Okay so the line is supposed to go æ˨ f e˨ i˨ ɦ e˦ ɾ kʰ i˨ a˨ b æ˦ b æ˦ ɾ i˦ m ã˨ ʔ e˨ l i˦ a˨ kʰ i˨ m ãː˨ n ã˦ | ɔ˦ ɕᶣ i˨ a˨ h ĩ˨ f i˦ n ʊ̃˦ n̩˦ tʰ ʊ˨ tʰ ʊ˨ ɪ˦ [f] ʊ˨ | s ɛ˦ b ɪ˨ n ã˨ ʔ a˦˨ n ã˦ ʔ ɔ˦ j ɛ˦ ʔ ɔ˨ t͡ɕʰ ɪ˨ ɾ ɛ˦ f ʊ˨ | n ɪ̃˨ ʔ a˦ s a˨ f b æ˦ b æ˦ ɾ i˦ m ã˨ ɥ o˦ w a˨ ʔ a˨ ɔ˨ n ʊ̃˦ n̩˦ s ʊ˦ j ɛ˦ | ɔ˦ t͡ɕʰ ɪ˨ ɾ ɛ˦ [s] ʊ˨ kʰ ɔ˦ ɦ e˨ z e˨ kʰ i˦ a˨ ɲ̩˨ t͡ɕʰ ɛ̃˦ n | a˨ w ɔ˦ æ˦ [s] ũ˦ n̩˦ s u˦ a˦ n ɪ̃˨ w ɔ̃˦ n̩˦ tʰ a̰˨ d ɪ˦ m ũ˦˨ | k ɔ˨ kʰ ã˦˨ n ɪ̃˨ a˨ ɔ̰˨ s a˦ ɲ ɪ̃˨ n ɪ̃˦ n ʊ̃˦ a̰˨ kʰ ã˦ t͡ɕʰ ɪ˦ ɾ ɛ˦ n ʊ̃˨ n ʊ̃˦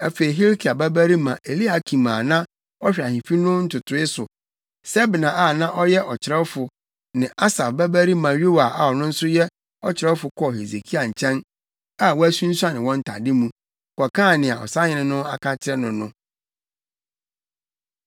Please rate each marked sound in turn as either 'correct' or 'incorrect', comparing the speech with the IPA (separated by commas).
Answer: incorrect, incorrect, correct